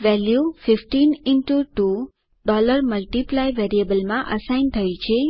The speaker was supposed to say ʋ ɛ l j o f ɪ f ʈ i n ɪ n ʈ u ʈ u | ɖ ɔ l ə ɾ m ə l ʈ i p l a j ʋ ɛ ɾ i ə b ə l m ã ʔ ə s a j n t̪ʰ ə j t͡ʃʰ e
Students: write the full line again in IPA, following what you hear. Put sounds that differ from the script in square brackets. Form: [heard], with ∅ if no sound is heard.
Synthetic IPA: ʋ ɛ l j [u] f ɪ f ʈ i n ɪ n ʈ u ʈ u | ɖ ɔ l ə ɾ m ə l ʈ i p l a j ʋ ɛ ɾ i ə b ə l m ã ʔ ə s a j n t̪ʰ ə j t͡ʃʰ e

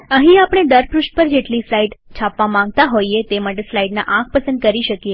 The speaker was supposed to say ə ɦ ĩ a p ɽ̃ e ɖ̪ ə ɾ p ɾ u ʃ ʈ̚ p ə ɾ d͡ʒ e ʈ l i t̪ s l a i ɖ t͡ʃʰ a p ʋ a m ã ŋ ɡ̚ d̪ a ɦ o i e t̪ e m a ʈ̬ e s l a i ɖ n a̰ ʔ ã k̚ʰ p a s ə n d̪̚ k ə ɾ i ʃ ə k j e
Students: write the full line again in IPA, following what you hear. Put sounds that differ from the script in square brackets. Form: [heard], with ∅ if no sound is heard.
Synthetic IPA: ə ɦ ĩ a p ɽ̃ e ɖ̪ ə ɾ p ɾ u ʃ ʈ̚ p ə ɾ d͡ʒ e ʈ l i [∅] s l a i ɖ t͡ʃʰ a p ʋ a m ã ŋ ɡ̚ [t̪] a ɦ o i e t̪ e m a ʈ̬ e s l a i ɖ n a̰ ʔ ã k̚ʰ p [ə] s ə n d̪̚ k ə ɾ i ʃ ə k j e

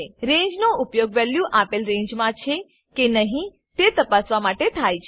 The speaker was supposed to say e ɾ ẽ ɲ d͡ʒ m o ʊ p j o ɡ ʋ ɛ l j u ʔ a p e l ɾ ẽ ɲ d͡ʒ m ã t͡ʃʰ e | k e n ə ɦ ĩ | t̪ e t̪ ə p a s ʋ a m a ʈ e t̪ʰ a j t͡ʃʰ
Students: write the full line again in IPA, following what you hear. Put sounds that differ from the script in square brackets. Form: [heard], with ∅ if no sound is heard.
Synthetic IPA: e ɾ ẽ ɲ d͡ʒ [n] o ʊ p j o ɡ ʋ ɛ l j u ʔ a p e l ɾ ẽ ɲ d͡ʒ m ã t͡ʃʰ e | k e n ə ɦ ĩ | t̪ e t̪ ə p a s ʋ a m a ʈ e t̪ʰ a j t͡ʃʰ

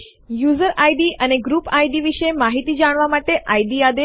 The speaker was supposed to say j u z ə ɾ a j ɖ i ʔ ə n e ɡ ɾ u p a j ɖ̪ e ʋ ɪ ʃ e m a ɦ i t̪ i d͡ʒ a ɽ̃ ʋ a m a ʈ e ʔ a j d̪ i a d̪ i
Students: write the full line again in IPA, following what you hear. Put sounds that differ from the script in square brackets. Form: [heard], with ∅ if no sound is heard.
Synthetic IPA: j u z ə ɾ a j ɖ i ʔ ə n e ɡ ɾ u p a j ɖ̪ [i] ʋ [i] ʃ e m a ɦ i t̪ i d͡ʒ a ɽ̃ ʋ a m a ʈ e ʔ a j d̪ i a d̪ [e]

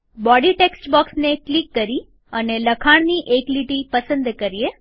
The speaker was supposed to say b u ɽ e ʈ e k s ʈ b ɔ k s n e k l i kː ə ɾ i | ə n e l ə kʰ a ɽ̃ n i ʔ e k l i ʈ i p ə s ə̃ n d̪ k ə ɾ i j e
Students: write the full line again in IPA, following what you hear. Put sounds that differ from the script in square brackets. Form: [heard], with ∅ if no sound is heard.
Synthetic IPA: b [ɔ] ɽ [i] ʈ e k s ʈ b ɔ k s n e k l i kː ə ɾ i | ə n e l ə kʰ a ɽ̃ n i ʔ e k l i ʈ i p ə s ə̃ n d̪ k ə ɾ i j e

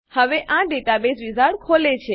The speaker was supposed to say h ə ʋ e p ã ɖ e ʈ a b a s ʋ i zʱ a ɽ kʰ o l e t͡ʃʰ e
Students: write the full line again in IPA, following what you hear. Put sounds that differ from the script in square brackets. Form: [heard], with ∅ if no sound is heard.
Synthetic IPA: h ə ʋ e [ʔ] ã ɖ e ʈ a b [e] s ʋ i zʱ a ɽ kʰ o l e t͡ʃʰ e

